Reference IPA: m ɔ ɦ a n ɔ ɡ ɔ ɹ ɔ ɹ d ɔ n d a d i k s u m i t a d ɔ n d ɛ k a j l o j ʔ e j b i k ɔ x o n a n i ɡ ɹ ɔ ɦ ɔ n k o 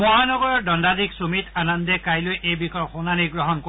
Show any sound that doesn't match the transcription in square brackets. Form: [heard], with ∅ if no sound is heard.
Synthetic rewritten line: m ɔ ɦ a n ɔ ɡ ɔ ɹ ɔ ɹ d ɔ n d a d i k s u m i t a [n] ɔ n d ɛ k a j l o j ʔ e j b i k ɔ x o n a n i ɡ ɹ ɔ ɦ ɔ n k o